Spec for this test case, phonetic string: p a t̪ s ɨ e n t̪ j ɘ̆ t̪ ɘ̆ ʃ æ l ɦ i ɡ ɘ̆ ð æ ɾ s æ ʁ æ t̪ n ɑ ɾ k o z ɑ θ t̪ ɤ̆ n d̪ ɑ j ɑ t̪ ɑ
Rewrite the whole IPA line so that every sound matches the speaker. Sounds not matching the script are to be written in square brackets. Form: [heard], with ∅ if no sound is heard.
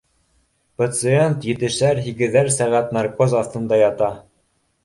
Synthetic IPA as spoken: p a t̪ s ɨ e n t̪ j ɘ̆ t̪ ɘ̆ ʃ æ [ɾ] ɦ i ɡ ɘ̆ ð æ ɾ s æ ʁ æ t̪ n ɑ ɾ k o z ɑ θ t̪ ɤ̆ n d̪ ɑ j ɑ t̪ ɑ